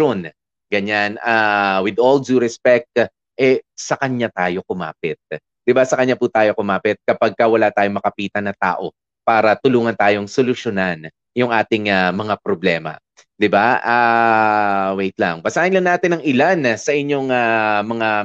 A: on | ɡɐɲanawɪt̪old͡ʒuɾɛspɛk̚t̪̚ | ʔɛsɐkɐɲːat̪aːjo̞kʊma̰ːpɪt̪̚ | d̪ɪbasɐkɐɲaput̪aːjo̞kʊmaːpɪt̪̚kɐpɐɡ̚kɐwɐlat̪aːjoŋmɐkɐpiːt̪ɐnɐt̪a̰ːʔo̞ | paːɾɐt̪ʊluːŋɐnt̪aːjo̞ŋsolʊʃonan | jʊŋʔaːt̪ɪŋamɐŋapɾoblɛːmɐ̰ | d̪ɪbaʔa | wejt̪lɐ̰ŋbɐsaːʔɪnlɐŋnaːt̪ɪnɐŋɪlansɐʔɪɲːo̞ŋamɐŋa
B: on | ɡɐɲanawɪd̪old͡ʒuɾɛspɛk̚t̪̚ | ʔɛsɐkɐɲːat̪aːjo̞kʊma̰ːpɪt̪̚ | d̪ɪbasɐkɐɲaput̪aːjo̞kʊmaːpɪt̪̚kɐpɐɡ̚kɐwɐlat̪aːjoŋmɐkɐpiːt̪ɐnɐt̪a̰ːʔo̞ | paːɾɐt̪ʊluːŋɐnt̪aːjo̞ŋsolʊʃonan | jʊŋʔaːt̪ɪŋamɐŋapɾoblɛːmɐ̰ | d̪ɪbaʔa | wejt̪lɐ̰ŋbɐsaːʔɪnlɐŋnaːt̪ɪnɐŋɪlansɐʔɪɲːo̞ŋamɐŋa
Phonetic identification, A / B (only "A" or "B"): B